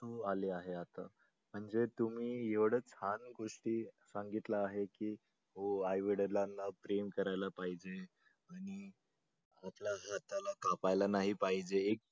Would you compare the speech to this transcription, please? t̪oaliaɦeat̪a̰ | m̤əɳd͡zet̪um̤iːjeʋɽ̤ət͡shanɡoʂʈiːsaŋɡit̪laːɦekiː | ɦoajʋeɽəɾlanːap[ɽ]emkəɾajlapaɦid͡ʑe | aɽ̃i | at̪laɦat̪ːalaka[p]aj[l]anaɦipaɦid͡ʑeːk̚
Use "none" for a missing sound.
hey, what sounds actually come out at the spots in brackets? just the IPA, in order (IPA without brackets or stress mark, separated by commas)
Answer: ɾ, p, l